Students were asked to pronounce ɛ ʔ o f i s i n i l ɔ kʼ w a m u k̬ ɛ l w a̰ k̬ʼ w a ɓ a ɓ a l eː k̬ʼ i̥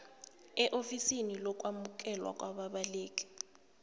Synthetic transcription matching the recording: ɛ ʔ o f i s i n i l ɔ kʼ w a m u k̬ ɛ l w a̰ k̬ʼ w a ɓ a ɓ a l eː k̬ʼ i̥